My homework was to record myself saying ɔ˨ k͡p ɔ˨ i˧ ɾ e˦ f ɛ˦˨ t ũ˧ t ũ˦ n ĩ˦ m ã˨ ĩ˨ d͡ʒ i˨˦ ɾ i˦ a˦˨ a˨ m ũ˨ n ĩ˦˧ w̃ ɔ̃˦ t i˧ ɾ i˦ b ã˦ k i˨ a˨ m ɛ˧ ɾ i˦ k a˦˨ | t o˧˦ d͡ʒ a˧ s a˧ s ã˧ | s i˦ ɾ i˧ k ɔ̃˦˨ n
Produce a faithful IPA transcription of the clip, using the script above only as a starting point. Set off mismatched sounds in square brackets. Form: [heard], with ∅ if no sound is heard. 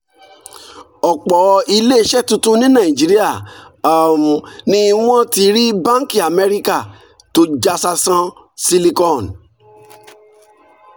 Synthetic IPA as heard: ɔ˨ k͡p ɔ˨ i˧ [l] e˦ [ʃ] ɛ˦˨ t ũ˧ t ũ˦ n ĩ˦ [n] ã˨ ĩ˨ d͡ʒ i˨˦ ɾ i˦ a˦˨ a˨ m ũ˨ n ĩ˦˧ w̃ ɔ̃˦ t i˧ ɾ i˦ b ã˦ k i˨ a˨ m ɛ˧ ɾ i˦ k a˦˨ | t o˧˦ d͡ʒ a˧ s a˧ s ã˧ | s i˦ [l] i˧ k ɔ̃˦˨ n